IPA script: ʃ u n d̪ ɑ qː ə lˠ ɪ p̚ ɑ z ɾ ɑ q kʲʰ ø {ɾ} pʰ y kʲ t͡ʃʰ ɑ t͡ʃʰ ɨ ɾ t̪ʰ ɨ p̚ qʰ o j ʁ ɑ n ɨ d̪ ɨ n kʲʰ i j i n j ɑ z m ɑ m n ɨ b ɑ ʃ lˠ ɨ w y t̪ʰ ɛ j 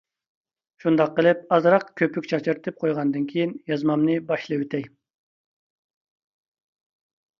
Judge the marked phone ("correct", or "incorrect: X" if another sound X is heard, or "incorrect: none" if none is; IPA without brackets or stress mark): incorrect: none